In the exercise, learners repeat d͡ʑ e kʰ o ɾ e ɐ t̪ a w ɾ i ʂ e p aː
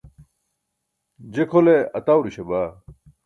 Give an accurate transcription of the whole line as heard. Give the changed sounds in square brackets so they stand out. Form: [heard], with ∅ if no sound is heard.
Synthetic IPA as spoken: d͡ʑ e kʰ o [l] e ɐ t̪ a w ɾ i [ɕ] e [b] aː